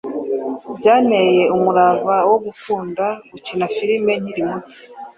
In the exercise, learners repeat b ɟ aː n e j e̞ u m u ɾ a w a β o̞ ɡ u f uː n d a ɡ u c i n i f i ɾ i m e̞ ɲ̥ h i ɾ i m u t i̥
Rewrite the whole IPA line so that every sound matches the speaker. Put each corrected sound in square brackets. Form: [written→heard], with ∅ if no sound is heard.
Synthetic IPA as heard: b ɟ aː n e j e̞ u m u ɾ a [w→β] a [β→w] o̞ ɡ u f uː n d a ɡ u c i n [i→a] f i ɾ i m e̞ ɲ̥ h i ɾ i m u t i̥